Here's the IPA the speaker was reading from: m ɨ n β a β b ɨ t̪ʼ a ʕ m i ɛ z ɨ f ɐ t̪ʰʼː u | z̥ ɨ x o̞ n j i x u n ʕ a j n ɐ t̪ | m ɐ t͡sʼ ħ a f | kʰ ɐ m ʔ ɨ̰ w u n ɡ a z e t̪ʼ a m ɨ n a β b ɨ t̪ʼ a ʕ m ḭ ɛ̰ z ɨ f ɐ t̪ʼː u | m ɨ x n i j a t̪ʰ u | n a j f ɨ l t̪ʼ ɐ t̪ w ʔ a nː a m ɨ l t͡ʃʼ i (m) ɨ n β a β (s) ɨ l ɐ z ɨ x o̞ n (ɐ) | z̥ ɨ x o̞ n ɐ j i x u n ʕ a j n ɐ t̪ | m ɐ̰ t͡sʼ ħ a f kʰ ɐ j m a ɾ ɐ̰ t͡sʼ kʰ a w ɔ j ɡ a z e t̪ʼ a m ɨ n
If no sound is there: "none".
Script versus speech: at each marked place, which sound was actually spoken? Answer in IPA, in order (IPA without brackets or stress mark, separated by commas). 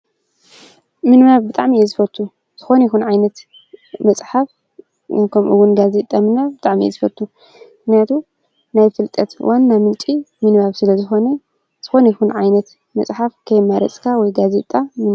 m, s, ɐ